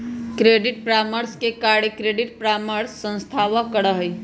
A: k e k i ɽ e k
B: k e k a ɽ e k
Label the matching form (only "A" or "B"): B